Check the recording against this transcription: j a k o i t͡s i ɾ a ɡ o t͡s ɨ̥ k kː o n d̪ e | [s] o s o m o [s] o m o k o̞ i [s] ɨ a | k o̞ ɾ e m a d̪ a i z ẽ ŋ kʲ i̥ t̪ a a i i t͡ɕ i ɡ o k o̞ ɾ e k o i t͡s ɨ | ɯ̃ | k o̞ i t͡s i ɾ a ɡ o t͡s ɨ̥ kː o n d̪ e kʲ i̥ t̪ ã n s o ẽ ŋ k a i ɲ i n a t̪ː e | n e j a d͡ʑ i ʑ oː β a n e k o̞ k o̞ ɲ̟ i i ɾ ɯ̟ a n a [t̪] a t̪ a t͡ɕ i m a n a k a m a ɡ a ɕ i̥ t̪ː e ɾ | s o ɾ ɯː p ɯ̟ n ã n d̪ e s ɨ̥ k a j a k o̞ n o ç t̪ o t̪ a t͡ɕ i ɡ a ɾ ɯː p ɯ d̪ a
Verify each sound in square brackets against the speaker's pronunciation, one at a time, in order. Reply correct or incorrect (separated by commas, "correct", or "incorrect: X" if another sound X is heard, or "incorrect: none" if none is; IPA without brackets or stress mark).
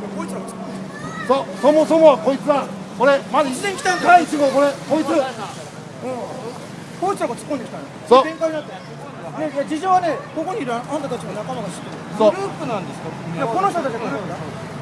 correct, correct, incorrect: t͡s, correct